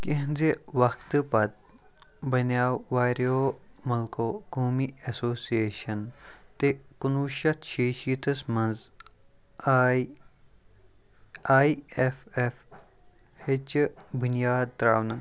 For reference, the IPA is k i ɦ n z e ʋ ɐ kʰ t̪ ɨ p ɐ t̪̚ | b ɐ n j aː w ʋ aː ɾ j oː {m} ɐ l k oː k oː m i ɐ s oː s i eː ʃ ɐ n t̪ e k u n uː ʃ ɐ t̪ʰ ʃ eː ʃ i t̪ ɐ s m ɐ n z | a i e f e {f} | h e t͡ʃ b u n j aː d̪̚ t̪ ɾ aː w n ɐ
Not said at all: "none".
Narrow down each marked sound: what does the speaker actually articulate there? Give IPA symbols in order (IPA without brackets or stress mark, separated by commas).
m, f